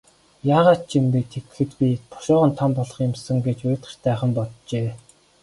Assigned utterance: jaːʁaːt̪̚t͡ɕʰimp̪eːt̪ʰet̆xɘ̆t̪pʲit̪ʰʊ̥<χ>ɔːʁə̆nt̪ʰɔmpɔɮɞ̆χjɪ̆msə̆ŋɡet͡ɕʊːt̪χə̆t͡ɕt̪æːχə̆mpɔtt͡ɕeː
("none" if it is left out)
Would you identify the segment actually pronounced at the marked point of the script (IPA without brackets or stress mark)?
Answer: ʃ